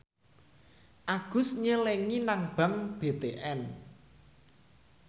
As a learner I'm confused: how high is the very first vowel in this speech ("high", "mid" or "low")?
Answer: low